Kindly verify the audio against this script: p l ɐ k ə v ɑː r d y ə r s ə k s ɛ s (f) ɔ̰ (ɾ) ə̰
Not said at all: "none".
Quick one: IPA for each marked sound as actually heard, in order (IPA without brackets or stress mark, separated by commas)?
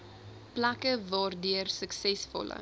f, l